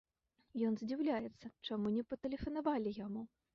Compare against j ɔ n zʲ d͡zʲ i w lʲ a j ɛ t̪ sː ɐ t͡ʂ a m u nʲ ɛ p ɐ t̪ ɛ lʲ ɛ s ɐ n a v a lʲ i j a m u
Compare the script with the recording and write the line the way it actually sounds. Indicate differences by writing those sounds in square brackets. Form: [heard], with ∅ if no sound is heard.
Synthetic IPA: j ɔ n zʲ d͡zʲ i w lʲ a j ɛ t̪ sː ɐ t͡ʂ a m u nʲ ɛ p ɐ t̪ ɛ lʲ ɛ [f] ɐ n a v a lʲ i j a m u